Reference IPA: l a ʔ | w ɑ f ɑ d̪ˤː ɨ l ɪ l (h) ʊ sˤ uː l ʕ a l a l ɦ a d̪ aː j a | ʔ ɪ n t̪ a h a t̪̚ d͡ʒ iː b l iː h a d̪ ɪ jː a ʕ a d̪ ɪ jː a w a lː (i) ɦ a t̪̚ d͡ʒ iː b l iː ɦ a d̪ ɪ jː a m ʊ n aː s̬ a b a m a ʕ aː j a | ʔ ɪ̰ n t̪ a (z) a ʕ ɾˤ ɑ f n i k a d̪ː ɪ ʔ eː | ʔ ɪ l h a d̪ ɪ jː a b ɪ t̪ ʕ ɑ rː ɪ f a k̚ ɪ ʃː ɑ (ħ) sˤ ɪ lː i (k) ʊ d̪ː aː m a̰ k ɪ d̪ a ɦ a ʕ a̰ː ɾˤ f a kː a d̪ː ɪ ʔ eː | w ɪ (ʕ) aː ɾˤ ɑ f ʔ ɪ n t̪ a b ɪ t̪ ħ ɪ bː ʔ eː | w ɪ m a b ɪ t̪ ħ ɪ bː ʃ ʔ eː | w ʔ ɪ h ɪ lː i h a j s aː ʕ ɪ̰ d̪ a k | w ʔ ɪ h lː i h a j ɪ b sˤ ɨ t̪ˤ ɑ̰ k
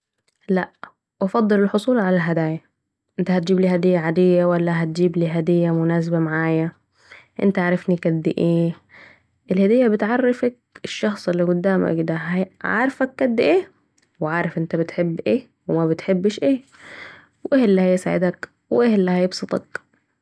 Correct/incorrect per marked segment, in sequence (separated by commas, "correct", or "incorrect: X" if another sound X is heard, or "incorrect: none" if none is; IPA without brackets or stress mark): incorrect: ħ, incorrect: a, incorrect: ʕ, incorrect: x, incorrect: ɡ, correct